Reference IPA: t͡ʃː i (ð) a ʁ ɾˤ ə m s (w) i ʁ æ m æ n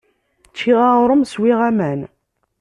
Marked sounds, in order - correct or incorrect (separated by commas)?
incorrect, correct